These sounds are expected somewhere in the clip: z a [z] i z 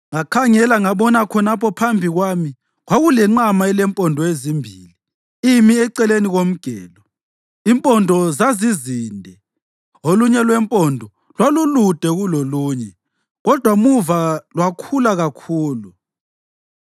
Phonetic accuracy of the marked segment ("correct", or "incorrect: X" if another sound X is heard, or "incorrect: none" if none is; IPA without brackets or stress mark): correct